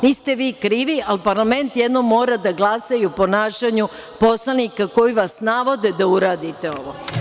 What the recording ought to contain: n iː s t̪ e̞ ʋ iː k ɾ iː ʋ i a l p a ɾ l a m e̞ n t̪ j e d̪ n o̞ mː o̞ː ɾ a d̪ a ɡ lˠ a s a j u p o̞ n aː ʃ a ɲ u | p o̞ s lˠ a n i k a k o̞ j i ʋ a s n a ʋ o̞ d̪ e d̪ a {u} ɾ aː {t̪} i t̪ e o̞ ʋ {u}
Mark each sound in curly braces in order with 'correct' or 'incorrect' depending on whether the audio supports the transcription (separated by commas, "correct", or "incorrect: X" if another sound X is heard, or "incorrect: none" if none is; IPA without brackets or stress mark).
correct, incorrect: d̪, incorrect: o